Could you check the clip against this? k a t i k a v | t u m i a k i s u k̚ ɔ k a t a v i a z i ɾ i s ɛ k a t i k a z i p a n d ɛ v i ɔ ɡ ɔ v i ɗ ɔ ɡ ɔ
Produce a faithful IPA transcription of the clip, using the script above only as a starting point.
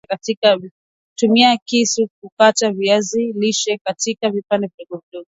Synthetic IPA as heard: k a t i k a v | t u m i a k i s u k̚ u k a t a v i a z i l i ʃ ɛ k a t i k a v i p a n d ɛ v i ɔ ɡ ɔ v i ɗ ɔ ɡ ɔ